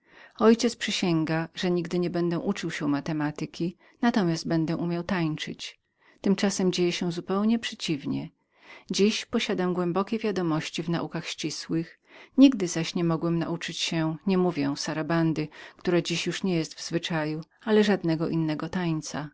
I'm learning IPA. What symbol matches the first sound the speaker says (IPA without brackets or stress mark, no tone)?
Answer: ɔ